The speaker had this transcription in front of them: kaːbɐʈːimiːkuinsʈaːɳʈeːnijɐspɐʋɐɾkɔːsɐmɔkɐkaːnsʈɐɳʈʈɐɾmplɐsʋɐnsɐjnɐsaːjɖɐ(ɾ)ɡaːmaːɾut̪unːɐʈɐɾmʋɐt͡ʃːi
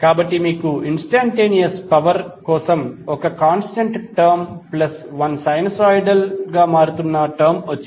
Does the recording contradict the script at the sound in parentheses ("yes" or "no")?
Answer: yes